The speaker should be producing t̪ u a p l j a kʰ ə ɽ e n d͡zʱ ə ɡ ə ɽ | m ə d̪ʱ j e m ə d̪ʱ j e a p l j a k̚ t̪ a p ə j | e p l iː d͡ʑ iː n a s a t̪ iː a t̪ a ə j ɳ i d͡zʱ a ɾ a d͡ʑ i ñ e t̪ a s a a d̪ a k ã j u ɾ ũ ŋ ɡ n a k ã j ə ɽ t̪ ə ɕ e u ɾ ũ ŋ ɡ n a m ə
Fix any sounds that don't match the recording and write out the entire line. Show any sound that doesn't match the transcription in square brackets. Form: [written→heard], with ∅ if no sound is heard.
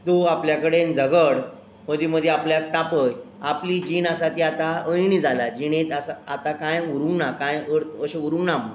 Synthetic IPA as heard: t̪ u a p l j a [kʰ→k] ə ɽ e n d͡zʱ ə ɡ ə ɽ | m ə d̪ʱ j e m ə d̪ʱ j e a p l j a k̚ t̪ a p ə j | [e→a] p l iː d͡ʑ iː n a s a t̪ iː a t̪ a ə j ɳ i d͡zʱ a [ɾ→l] a d͡ʑ i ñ e t̪ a s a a [d̪→t̪] a k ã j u ɾ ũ ŋ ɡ n a k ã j ə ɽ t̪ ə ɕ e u ɾ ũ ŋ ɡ n a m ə